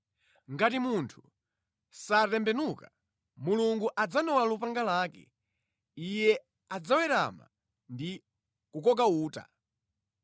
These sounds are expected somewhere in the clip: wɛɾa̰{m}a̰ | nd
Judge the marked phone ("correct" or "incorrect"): correct